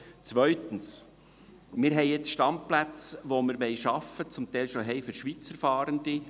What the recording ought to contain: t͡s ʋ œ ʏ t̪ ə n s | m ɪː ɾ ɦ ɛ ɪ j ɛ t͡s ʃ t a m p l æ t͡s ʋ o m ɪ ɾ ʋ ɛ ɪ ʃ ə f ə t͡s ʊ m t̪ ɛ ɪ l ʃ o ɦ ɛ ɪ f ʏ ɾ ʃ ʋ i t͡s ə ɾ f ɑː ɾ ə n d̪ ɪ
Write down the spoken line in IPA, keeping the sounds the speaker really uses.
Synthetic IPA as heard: t͡s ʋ œ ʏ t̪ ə n s | m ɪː ɾ ɦ ɛ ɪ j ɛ t͡s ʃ t ɑ m p l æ t͡s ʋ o m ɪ ɾ ʋ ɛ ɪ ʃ ɑ f ə t͡s ʊ m t̪ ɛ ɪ l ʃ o ɦ ɛ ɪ f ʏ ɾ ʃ ʋ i t͡s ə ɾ f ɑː ɾ ə n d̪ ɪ